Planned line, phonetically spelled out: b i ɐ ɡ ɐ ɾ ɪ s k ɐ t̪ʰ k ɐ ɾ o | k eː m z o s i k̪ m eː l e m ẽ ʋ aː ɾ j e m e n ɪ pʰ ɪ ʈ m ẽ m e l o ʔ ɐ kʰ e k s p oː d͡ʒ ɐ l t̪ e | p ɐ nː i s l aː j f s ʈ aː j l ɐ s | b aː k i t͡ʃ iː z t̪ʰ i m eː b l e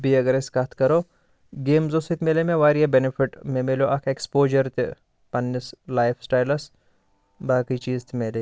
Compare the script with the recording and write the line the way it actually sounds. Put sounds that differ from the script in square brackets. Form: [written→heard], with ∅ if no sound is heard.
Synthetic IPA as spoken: b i ɐ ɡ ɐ ɾ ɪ s k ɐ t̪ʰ k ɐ ɾ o | [k→ɡ] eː m z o s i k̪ m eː l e m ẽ ʋ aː ɾ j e [m→b] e n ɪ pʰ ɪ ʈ m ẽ m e l o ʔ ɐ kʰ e k s p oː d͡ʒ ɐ [l→ɾ] t̪ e | p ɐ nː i s l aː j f s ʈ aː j l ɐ s | b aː k i t͡ʃ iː z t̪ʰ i m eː [b→∅] l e